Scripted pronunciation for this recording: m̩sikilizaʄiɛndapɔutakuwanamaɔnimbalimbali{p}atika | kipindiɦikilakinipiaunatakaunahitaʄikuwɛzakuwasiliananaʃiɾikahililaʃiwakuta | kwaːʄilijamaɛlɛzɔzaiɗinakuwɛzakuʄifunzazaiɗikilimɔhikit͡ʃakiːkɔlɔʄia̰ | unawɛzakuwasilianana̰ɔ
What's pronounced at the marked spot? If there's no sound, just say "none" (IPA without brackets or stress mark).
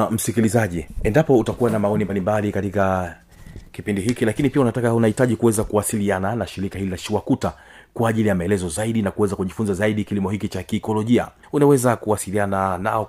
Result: k